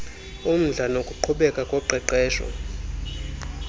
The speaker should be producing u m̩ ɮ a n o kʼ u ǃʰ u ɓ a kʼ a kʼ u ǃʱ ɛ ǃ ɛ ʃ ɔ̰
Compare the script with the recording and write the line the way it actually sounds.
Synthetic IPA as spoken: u m̩ ɮ a n o kʼ u ǃʰ u ɓ ɛ kʼ a kʼ ɔ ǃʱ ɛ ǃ ɛː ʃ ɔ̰